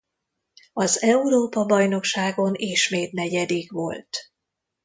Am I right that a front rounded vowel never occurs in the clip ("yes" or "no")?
yes